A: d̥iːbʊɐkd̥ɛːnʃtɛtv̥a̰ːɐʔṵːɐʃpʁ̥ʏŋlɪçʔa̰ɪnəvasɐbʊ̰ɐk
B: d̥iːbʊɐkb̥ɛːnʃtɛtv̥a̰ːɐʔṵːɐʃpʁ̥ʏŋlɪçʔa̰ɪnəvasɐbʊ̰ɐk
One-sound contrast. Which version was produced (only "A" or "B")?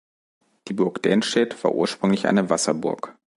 A